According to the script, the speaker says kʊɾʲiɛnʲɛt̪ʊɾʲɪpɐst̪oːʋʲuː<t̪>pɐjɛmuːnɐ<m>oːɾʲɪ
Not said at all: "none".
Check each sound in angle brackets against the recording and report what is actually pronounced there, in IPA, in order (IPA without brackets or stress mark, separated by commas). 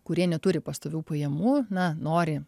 none, n